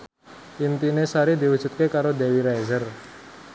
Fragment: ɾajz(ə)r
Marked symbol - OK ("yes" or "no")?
yes